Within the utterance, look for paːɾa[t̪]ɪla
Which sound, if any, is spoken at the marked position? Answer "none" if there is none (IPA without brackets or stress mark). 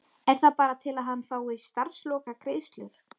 t̪ʰ